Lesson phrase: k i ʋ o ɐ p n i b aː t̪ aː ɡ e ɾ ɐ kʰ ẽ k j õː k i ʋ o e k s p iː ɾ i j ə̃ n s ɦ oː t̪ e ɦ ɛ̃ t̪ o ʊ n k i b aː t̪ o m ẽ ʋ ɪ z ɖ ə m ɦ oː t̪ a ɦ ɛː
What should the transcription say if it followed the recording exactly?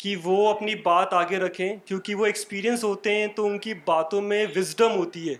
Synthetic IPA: k i ʋ o ɐ p n i b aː t̪ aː ɡ e ɾ ɐ kʰ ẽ k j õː k i ʋ o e k s p iː ɾ i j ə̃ n s ɦ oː t̪ e ɦ ɛ̃ t̪ o ʊ n k i b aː t̪ õ m ẽ ʋ ɪ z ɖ ə m ɦ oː t̪ i ɦ ɛː